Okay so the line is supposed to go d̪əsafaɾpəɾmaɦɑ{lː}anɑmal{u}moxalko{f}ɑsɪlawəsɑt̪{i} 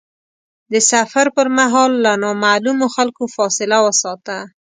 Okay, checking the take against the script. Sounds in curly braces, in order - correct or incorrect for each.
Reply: correct, correct, correct, incorrect

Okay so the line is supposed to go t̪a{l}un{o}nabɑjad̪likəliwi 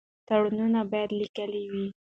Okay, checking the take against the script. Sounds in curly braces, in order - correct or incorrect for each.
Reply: incorrect, incorrect

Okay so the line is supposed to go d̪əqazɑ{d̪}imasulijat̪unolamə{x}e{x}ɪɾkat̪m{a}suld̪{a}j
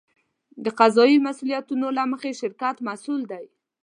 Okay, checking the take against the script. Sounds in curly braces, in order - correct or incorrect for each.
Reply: incorrect, correct, incorrect, correct, correct

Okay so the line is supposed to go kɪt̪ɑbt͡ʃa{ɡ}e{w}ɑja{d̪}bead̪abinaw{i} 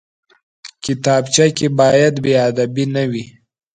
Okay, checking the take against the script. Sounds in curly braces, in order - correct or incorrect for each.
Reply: incorrect, incorrect, correct, correct

